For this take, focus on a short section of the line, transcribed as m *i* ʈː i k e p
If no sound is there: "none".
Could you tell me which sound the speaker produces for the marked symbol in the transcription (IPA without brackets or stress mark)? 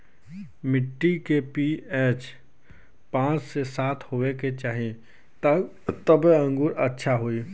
ɪ